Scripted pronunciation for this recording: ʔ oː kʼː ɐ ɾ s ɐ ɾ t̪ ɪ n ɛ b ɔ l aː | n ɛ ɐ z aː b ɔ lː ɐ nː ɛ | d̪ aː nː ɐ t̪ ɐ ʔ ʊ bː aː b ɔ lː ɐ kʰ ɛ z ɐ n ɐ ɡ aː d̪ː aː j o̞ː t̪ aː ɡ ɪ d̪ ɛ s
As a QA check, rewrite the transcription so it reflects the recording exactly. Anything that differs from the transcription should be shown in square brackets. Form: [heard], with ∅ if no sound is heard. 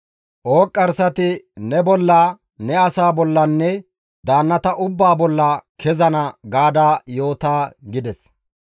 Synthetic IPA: ʔ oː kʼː ɐ ɾ s ɐ [∅] t̪ ɪ n ɛ b ɔ [lː] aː | n ɛ ɐ [s] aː b ɔ lː ɐ nː ɛ | d̪ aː nː ɐ t̪ ɐ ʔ ʊ bː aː b ɔ lː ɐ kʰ ɛ z ɐ n ɐ ɡ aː [d̪] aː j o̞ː t̪ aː ɡ ɪ d̪ ɛ s